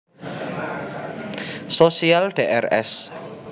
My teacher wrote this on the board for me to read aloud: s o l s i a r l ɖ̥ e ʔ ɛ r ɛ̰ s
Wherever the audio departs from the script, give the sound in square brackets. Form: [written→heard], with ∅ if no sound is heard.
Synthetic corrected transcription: s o [l→∅] s i a [r→∅] l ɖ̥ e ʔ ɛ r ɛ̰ s